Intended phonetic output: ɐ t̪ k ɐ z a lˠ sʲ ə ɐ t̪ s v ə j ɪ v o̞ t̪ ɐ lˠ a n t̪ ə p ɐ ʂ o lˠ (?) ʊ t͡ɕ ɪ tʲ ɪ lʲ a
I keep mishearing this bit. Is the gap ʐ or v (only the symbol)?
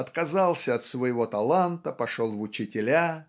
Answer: v